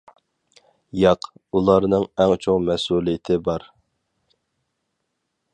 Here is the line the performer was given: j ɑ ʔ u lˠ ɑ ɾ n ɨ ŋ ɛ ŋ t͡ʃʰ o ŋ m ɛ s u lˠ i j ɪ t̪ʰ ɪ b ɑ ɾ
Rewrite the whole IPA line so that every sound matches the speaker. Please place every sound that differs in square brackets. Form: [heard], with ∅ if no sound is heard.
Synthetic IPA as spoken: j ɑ [q] u lˠ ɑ ɾ n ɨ ŋ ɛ ŋ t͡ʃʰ o ŋ m ɛ s u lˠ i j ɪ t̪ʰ ɪ b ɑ ɾ